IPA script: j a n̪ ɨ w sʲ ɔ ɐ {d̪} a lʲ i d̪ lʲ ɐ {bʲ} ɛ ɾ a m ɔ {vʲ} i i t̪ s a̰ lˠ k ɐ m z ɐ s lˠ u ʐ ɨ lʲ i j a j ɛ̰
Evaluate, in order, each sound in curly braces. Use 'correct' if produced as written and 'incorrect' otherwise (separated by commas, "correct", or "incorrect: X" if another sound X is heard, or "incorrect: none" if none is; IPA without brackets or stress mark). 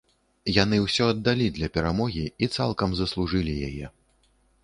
incorrect: d̪ː, incorrect: pʲ, incorrect: ɣʲ